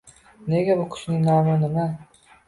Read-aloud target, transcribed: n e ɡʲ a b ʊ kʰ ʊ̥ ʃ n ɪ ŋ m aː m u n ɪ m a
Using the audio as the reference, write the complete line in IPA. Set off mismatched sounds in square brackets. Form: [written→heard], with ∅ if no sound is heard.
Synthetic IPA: n e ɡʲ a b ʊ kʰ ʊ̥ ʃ n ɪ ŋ [m→n] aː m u n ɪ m a